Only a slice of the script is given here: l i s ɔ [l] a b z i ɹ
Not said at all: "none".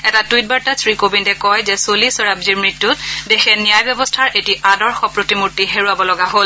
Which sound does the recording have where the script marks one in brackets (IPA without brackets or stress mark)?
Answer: ɹ